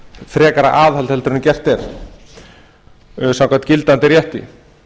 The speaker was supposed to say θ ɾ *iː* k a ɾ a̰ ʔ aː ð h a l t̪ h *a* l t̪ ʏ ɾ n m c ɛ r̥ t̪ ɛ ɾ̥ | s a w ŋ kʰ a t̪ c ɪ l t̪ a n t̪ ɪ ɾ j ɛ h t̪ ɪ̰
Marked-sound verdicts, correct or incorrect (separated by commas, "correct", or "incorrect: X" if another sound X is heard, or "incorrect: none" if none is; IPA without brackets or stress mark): incorrect: ɛː, incorrect: ɛ